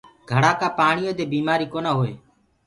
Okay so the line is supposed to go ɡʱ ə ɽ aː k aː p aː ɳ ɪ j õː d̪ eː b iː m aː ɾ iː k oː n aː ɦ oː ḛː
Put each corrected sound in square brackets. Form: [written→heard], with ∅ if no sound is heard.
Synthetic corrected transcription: ɡʱ ə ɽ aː k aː p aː ɳ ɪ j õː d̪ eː b iː m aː ɾ iː k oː n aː ɦ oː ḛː